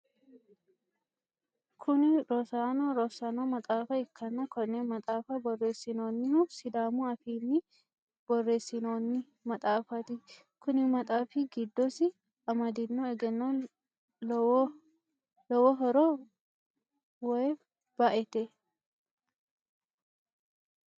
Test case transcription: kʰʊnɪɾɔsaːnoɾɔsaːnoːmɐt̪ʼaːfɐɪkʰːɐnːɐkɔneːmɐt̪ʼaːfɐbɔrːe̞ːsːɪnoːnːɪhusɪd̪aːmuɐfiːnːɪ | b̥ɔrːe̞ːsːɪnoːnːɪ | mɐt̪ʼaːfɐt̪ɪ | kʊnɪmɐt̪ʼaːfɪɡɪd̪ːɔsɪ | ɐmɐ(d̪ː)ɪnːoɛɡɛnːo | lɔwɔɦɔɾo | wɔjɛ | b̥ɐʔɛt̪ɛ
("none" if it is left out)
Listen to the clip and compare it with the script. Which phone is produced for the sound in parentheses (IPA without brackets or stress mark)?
d̪